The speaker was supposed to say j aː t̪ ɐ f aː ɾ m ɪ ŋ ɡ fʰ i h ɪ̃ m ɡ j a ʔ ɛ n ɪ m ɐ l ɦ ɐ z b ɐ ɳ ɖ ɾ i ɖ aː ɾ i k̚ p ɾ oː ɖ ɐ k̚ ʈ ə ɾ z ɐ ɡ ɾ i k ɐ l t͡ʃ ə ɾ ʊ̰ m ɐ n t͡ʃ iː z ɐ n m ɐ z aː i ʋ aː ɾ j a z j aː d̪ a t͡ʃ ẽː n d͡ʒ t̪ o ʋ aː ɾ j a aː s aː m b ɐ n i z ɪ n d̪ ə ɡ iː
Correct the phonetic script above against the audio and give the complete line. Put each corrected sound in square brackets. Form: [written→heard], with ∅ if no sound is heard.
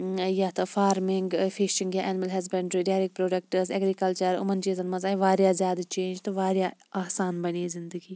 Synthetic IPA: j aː t̪ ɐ f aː ɾ m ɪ ŋ ɡ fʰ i [h→ʃ] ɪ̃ [m→ŋ] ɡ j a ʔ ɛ n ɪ m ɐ l ɦ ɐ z b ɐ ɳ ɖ ɾ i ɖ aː ɾ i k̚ p ɾ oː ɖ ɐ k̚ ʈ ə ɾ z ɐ ɡ ɾ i k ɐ l t͡ʃ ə ɾ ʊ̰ m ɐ n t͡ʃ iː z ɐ n m ɐ z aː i ʋ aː ɾ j a z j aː d̪ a t͡ʃ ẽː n d͡ʒ t̪ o ʋ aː ɾ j a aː s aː [m→n] b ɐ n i z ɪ n d̪ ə ɡ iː

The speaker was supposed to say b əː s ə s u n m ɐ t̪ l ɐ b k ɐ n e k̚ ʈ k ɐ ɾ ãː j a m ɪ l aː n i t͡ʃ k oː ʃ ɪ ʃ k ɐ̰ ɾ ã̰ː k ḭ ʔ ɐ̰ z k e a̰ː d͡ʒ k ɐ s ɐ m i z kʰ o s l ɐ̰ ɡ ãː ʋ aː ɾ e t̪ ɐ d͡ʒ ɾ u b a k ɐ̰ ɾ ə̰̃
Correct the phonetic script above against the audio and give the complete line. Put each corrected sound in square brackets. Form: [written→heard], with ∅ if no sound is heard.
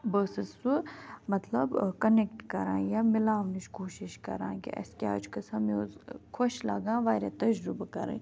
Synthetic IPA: b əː s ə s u [n→∅] m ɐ t̪ l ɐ b k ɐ n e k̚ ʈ k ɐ ɾ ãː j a m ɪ l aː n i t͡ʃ k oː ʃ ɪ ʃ k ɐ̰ ɾ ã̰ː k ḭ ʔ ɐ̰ [z→s] k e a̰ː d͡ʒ k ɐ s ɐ m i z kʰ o [s→ʃ] l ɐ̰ ɡ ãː ʋ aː ɾ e t̪ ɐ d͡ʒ ɾ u b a k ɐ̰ ɾ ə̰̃

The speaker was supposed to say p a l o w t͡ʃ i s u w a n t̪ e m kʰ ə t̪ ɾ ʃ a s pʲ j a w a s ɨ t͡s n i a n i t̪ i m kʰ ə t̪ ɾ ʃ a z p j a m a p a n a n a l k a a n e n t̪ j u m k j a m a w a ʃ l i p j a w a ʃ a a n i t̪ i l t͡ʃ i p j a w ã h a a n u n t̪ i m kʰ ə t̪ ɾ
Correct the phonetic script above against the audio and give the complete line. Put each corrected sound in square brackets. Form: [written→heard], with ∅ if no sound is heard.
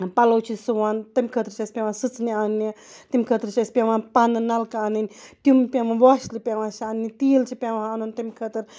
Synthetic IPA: p a l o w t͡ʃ i s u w a n t̪ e m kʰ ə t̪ ɾ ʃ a s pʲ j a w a s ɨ t͡s n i a n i t̪ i m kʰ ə t̪ ɾ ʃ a [z→s] p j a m a p a n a n a l k a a n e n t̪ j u m [k→p] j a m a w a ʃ l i p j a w a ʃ a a n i t̪ i l t͡ʃ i p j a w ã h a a n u n t̪ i m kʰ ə t̪ ɾ

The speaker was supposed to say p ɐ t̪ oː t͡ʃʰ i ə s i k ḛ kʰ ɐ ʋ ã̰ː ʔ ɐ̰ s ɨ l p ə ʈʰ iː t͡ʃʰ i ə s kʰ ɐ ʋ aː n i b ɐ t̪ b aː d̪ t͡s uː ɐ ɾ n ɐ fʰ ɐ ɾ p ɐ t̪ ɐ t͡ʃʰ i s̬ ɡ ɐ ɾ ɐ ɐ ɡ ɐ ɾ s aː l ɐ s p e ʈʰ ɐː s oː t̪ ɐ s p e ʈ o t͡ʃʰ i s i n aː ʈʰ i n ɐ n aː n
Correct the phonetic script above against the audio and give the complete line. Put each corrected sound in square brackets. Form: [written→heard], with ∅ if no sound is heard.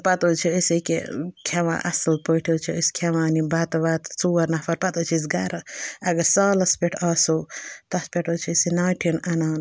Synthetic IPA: p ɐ t̪ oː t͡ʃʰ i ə s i k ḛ kʰ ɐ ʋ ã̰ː ʔ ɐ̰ s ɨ l p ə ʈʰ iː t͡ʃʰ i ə s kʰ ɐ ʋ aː n i b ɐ t̪ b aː [d̪→t̪] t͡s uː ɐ ɾ n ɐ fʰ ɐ ɾ p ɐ t̪ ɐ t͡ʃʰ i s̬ ɡ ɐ ɾ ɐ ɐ ɡ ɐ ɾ s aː l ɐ s p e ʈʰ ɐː s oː t̪ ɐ s p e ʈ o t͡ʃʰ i s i n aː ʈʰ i n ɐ n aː n

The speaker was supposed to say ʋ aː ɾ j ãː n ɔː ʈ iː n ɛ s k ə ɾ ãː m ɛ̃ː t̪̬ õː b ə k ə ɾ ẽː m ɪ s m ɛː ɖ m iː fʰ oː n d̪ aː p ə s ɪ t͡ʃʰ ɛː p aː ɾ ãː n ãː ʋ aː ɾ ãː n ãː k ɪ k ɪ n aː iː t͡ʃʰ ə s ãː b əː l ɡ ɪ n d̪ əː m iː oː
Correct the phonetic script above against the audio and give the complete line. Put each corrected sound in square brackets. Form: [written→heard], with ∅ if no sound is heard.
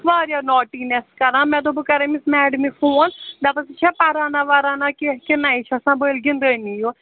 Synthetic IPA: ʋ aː ɾ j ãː n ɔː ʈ iː n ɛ s k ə ɾ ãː m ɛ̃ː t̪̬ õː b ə k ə ɾ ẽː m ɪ s m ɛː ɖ m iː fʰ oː n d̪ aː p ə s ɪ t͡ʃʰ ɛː p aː ɾ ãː n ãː ʋ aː ɾ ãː n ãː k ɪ k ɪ n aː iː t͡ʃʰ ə s ãː b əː l ɡ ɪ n d̪ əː [m→n] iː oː

